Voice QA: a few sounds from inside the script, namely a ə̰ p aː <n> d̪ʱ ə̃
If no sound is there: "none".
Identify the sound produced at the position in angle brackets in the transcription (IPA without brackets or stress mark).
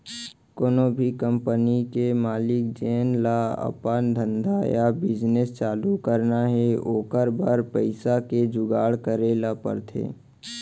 n